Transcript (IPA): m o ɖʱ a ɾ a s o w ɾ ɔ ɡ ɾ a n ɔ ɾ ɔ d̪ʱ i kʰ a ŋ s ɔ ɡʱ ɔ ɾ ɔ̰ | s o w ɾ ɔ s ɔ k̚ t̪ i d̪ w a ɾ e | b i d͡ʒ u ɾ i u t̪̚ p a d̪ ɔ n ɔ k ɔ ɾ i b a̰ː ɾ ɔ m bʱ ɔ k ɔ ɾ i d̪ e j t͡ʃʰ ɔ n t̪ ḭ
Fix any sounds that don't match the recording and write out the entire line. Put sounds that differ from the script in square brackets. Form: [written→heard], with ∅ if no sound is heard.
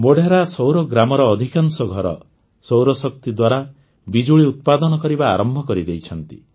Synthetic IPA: m o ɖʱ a ɾ a s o w ɾ ɔ ɡ ɾ a [n→m] ɔ ɾ [ɔ→ɔː] d̪ʱ i [kʰ→k] a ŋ s ɔ ɡʱ ɔ ɾ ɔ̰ | s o w ɾ ɔ s ɔ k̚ t̪ i d̪ w a ɾ [e→a] | b i d͡ʒ u [ɾ→ɭ] i u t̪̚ p a d̪ ɔ n ɔ k ɔ ɾ i b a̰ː ɾ ɔ m bʱ ɔ k ɔ ɾ i d̪ e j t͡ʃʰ ɔ n t̪ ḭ